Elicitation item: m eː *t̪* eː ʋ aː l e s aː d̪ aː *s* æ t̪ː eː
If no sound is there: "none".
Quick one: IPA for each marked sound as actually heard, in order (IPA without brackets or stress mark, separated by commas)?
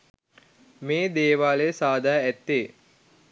d̪, none